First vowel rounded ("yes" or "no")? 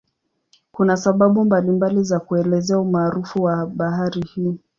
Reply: yes